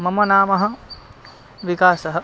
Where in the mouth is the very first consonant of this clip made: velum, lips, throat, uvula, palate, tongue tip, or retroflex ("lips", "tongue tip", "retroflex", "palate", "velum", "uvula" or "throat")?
lips